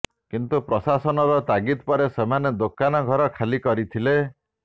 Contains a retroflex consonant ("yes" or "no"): no